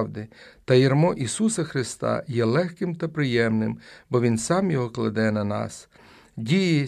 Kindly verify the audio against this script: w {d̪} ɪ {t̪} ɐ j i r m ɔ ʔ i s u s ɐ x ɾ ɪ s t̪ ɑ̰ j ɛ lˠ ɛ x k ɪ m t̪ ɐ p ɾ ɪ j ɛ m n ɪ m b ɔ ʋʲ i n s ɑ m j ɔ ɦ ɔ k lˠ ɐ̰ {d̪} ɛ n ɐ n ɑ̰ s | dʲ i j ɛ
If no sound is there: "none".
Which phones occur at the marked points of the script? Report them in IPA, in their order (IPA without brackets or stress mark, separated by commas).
d̪, t̪, d̪